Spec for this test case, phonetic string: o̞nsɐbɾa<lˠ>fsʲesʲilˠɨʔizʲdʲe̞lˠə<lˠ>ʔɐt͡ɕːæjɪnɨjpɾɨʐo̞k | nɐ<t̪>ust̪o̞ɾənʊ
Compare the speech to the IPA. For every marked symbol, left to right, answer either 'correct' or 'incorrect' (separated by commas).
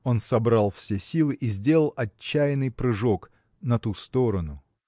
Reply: correct, correct, correct